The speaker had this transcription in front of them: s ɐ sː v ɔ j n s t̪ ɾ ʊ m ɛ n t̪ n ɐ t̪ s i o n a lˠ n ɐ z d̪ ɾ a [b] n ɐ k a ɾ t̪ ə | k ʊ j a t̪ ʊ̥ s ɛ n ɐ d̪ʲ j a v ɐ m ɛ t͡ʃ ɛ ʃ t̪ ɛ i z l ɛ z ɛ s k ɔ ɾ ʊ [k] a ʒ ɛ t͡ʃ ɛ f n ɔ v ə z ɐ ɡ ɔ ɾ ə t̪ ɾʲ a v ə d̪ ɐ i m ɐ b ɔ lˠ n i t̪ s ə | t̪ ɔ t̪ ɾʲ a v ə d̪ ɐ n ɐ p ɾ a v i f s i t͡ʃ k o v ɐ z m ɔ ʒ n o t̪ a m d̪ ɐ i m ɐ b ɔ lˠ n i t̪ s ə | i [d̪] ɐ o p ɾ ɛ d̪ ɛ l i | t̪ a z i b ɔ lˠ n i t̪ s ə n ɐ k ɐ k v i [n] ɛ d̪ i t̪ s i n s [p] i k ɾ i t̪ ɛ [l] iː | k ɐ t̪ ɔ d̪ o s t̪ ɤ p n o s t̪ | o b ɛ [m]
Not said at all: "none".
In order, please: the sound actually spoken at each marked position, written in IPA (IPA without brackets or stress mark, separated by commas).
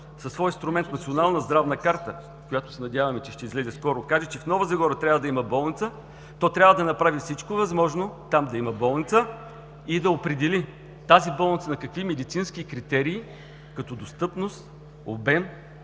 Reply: v, k, d̪, m, k, ɾ, m